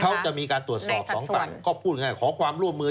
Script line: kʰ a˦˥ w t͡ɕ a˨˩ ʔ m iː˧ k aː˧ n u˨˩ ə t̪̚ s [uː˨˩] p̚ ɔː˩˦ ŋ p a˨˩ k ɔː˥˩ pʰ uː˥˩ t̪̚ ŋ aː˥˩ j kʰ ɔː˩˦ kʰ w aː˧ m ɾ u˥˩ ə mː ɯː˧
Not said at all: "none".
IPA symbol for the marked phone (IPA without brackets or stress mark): ɔː˨˩